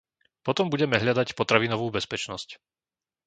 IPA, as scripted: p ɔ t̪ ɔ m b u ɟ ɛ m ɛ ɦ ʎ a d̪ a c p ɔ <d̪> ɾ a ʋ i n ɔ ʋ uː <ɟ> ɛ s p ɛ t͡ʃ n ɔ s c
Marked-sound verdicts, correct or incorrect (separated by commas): incorrect, incorrect